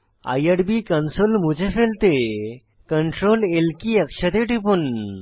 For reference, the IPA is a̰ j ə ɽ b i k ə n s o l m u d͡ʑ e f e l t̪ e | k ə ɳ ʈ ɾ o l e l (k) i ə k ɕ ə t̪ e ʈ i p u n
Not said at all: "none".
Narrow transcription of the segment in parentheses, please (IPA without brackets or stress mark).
k